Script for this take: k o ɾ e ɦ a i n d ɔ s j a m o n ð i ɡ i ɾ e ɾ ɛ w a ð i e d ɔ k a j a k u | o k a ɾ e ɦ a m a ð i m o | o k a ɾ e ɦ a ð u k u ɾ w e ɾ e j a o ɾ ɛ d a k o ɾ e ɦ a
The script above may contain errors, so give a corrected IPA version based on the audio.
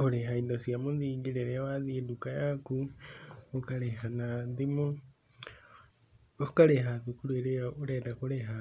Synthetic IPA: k o ɾ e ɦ a i n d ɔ s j a m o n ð i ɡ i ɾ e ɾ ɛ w a ð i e d u k a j a k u | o k a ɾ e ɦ a n a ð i m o | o k a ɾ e ɦ a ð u k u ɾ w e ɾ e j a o ɾ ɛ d a k o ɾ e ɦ a

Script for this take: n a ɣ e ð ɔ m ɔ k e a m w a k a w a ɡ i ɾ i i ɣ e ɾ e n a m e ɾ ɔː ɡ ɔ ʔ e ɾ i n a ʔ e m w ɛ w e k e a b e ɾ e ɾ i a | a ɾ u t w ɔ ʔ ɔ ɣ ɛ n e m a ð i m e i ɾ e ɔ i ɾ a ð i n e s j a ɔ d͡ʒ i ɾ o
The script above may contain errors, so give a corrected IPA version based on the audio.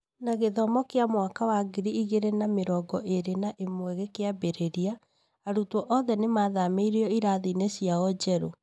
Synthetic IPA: n a ɣ e ð ɔ m ɔ k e a m w a k a w a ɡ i ɾ i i ɣ e ɾ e n a m e ɾ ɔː ɡ ɔ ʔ e ɾ e n a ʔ e m w ɛ ɣ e k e a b e ɾ e ɾ i a | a ɾ u t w ɔ ʔ ɔ ð ɛ n e m a ð a m e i ɾ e ɔ i ɾ a ð i n e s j a ɔ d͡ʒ ɛ ɾ o

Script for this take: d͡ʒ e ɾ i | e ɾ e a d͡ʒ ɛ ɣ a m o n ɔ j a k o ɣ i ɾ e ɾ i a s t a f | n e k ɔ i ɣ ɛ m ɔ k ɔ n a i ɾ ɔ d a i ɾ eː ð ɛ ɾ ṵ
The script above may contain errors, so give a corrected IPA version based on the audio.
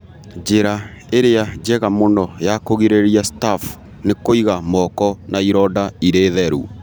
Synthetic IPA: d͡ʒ e ɾ a | e ɾ e a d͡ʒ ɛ ɣ a m o n ɔ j a k o ɣ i ɾ e ɾ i a s t a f | n e k o i ɣ a m ɔ k ɔ n a i ɾ ɔ d a i ɾ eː ð ɛ ɾ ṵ

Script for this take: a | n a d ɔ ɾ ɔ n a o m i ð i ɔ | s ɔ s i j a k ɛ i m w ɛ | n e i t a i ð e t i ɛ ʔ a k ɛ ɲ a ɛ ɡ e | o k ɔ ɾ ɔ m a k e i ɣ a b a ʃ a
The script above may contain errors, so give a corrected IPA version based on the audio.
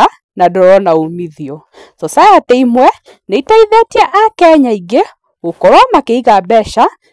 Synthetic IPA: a | n a d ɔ ɾ ɔ n a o m i ð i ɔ | s ɔ s a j a t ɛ i m w ɛ | n e i t a i ð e t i ɛ ʔ a k ɛ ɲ a i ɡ e | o k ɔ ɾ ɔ m a k e i ɣ a b ɛ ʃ a

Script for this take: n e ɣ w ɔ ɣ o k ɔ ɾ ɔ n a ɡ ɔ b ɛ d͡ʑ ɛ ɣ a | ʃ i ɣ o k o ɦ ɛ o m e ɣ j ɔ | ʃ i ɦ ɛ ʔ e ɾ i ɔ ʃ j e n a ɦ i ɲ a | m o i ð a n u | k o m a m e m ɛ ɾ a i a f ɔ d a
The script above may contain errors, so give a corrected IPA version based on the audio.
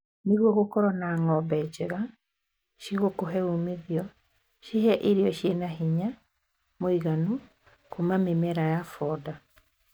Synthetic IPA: n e ɣ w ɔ ɣ o k ɔ ɾ ɔ n a ŋ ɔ b ɛ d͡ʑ ɛ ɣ a | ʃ i ɣ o k o ɦ ɛ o m e ð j ɔ | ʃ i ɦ ɛ ʔ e ɾ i ɔ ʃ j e n a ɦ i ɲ a | m o i ɣ a n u | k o m a m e m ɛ ɾ a j a f ɔ d a

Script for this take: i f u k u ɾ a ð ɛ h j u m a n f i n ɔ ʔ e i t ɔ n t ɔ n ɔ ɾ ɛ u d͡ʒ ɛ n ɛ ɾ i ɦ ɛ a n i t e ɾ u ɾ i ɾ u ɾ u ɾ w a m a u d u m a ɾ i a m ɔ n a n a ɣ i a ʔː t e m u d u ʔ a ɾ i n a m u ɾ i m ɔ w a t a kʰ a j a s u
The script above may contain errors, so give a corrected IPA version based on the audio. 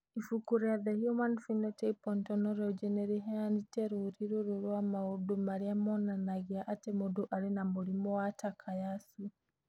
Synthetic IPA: i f u k u ɾ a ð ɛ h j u m a n f i n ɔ t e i p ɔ n t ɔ n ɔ ɾ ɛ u d͡ʒ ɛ n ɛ ɾ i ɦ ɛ a n i t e ɾ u ɾ i ɾ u ɾ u ɾ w a m a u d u m a ɾ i a m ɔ n a n a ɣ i a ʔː t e m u d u ʔ a ɾ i n a m u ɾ i m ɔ w a t a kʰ a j a s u

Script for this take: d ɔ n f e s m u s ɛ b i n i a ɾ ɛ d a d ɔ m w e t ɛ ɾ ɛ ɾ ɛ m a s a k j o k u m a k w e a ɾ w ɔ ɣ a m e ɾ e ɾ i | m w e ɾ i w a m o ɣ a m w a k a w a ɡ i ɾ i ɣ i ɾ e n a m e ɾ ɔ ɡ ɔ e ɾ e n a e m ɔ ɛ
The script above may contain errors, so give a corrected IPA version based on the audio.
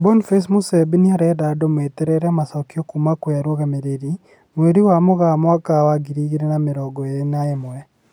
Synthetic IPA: b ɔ n f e s m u s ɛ b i n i a ɾ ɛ d a d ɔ m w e t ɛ ɾ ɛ ɾ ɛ m a s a k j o k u m a k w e a ɾ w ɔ ɣ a m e ɾ e ɾ i | m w e ɾ i w a m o ɣ a m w a k a w a ɡ i ɾ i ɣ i ɾ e n a m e ɾ ɔ ɡ ɔ e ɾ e n a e m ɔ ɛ

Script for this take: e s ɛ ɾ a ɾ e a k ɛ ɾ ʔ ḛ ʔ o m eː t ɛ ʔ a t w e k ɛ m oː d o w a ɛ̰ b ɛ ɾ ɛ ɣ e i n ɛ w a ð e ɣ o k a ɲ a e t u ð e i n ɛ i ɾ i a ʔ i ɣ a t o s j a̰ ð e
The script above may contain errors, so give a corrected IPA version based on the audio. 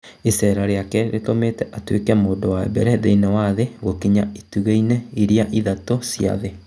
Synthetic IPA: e s ɛ ɾ a ɾ e a k ɛ ɾ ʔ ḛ t o m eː t ɛ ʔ a t w e k ɛ m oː d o w a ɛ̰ b ɛ ɾ ɛ ð e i n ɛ w a ð e ɣ o k i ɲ a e t u ɣ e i n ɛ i ɾ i a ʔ i ð a t o s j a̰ ð e

